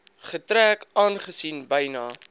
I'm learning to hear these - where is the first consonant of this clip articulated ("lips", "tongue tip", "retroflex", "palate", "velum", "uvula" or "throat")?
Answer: uvula